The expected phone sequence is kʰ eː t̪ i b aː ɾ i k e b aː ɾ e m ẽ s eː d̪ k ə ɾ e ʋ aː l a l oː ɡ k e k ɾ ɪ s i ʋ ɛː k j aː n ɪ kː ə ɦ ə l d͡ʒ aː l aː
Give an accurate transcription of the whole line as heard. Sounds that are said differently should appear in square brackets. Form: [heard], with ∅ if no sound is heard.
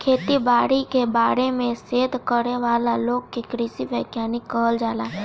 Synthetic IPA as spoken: kʰ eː t̪ i b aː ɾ i k e b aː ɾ e m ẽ s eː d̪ k ə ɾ e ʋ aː l a l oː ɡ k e k ɾ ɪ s i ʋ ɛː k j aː n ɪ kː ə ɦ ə l d͡ʒ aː l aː